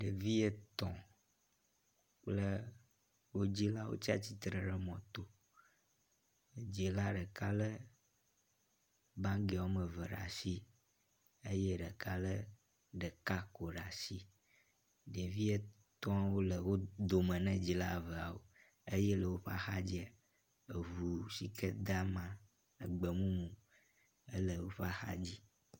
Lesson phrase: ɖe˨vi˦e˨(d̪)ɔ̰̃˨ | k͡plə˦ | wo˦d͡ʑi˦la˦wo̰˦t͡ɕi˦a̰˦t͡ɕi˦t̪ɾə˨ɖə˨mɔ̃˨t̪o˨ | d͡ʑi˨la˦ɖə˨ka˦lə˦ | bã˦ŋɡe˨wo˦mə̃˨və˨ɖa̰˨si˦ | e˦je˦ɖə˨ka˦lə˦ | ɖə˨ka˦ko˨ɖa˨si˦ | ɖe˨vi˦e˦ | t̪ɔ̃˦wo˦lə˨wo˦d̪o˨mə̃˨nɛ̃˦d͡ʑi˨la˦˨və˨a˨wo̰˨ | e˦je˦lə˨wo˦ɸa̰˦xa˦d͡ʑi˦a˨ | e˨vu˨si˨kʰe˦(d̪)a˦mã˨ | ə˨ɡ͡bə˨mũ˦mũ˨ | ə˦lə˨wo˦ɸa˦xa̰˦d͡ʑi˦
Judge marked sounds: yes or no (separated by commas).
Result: no, yes